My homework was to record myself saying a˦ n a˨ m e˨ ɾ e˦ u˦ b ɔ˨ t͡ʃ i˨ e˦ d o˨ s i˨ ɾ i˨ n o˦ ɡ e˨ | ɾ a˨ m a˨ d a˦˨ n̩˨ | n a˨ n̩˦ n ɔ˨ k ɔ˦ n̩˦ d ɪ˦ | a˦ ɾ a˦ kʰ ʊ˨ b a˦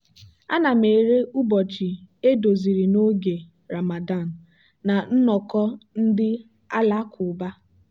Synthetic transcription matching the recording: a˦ n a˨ m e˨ ɾ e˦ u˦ b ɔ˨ t͡ʃ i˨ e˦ d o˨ z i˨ ɾ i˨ n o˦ ɡ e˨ | ɾ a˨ m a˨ d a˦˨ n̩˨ | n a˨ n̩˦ n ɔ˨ k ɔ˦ n̩˦ d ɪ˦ | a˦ l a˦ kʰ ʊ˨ b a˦